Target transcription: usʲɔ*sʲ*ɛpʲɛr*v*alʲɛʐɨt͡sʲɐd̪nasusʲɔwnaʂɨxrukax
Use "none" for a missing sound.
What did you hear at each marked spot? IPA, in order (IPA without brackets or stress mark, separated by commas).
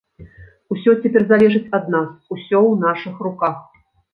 t͡sʲ, z